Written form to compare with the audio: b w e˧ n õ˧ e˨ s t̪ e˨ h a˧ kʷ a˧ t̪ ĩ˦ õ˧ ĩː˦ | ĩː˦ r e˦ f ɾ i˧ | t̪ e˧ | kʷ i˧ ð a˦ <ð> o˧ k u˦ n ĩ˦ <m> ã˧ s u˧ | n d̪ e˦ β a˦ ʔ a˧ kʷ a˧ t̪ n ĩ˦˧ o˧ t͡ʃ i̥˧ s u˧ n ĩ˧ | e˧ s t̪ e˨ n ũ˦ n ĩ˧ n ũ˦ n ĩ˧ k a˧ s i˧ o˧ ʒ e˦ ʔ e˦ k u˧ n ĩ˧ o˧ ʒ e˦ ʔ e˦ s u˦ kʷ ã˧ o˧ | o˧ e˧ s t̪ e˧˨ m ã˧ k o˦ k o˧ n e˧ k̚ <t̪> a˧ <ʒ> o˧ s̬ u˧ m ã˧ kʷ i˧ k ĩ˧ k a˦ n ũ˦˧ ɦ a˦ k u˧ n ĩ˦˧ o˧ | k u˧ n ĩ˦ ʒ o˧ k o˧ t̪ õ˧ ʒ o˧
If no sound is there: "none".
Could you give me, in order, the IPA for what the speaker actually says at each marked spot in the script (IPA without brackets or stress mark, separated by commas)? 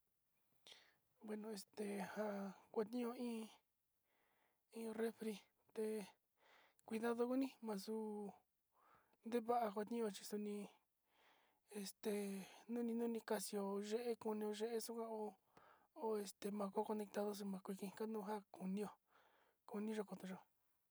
ð, m, t̪, ð